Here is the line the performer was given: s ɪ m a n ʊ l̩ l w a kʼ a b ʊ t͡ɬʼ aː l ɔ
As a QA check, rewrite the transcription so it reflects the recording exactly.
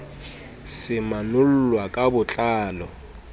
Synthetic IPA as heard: s ɪ m a n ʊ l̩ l w a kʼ a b ʊ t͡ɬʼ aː l ɔ